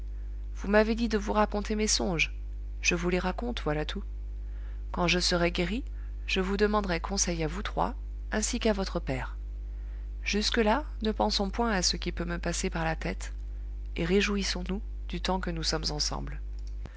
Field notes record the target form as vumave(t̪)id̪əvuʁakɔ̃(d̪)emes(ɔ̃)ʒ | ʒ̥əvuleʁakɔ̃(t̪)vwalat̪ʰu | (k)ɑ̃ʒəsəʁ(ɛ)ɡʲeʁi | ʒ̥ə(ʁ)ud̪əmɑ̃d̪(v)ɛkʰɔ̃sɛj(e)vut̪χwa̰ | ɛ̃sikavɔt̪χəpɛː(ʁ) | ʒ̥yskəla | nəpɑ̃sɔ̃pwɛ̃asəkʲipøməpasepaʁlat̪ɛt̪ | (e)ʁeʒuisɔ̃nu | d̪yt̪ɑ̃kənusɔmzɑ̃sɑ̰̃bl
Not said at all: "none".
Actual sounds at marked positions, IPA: d̪, t̪, ɔ̃, t̪, k, ɛ, v, ʁ, a, ʁ, e

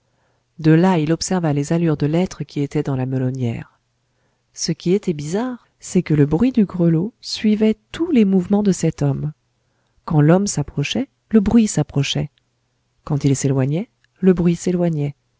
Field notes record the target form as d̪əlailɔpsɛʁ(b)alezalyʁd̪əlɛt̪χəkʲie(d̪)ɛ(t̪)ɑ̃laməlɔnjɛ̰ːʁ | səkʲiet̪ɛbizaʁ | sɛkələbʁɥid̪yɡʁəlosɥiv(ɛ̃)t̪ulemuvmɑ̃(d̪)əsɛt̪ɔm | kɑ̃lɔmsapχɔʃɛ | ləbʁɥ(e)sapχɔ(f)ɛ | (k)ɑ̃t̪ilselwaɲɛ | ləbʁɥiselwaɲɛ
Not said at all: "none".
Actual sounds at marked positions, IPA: v, t̪, d̪, ɛ, d̪, i, ʃ, k

